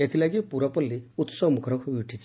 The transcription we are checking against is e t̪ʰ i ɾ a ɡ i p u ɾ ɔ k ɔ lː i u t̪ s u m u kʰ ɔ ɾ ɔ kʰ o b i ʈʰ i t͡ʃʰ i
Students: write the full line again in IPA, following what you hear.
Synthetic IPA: e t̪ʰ i l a ɡ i p u ɾ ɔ p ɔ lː i u t̪ s ɔ m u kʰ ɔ ɾ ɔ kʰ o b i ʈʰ i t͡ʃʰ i